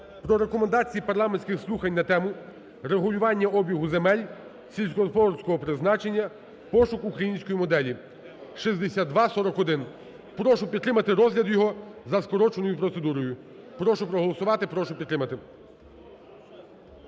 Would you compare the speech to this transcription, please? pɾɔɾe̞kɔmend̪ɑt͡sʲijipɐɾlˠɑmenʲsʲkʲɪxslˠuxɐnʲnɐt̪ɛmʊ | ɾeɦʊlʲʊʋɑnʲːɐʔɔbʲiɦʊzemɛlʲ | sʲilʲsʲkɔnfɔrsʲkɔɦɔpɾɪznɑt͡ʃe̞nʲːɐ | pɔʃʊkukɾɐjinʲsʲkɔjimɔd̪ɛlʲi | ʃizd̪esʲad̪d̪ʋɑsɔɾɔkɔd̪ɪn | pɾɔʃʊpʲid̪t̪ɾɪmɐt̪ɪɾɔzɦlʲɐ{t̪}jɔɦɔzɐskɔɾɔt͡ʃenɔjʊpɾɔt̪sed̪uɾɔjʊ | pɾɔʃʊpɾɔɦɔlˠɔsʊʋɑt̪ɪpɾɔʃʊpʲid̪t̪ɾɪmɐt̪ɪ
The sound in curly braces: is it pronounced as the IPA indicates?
no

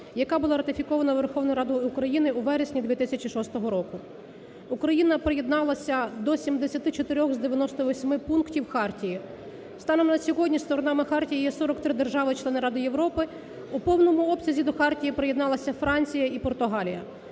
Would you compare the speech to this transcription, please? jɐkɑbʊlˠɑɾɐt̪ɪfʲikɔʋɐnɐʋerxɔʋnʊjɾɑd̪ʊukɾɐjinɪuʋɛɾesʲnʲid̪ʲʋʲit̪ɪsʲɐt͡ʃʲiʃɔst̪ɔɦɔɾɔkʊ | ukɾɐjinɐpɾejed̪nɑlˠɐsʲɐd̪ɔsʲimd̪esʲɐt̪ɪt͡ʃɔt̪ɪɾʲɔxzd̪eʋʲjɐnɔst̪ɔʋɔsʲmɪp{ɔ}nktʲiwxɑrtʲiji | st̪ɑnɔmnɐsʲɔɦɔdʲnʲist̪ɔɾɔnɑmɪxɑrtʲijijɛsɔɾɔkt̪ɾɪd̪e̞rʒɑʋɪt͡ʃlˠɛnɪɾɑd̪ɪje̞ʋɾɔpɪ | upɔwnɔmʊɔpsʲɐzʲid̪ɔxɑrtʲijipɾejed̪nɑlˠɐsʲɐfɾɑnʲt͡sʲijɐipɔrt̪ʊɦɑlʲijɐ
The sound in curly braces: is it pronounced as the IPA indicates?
no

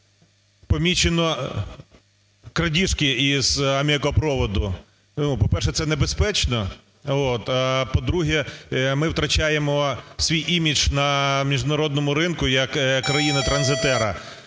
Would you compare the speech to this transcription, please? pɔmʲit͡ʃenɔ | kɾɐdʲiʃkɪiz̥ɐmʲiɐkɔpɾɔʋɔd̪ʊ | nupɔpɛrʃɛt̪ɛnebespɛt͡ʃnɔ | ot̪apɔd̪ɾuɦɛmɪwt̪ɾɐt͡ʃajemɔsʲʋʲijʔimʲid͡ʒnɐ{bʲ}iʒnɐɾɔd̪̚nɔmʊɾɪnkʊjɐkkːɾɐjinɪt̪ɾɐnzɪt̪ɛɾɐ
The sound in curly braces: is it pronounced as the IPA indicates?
no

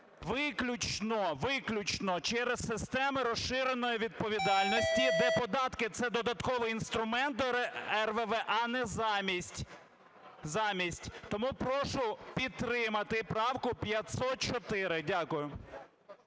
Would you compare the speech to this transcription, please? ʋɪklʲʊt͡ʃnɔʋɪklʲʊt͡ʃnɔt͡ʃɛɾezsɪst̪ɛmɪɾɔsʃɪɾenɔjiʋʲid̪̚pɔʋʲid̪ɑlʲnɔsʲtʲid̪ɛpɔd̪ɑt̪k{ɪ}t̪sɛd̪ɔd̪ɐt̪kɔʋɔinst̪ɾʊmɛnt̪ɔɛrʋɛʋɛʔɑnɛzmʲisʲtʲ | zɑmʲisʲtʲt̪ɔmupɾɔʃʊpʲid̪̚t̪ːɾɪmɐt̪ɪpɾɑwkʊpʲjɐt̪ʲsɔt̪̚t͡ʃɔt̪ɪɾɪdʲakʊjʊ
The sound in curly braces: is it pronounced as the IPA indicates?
yes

